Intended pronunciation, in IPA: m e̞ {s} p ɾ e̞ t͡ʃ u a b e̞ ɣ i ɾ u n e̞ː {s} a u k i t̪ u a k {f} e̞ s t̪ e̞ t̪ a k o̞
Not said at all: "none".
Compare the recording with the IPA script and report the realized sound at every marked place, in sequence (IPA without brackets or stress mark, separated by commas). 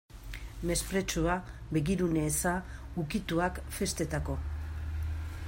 s, s, f